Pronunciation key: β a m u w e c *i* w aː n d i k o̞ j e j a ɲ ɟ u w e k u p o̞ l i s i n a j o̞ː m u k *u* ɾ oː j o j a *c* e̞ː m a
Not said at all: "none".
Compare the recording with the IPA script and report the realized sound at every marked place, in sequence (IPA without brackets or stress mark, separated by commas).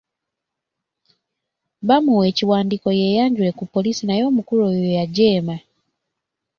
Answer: i, u, ɟ